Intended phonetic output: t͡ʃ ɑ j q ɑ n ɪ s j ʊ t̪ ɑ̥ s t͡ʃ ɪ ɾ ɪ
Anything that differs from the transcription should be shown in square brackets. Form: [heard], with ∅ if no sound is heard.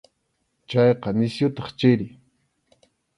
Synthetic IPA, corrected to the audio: t͡ʃ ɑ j q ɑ n ɪ s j ʊ t̪ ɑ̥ [χ] t͡ʃ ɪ ɾ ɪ